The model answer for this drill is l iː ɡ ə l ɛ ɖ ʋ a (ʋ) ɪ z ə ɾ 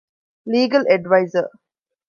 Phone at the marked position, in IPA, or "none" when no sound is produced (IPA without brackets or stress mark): none